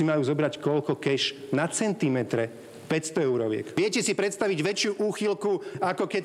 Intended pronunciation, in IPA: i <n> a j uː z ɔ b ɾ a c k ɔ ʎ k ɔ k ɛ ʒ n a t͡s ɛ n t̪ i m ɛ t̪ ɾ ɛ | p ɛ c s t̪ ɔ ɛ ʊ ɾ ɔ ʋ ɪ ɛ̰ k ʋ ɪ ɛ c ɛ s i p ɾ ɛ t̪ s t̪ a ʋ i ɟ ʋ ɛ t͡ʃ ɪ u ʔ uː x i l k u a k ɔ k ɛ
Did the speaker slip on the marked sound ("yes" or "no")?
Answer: yes